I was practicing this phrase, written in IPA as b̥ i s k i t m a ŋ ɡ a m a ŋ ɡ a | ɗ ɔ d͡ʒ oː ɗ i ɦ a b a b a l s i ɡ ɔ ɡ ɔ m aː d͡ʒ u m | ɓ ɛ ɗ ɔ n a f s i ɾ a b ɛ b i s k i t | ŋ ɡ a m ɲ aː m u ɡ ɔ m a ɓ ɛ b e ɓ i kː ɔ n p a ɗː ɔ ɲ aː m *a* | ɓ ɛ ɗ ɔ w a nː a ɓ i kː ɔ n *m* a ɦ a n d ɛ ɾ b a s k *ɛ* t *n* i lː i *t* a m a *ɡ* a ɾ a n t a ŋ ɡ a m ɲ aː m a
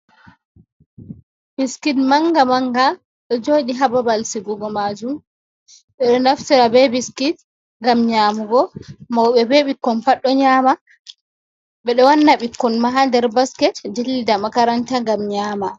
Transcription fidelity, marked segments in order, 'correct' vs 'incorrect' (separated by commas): correct, correct, correct, incorrect, incorrect, incorrect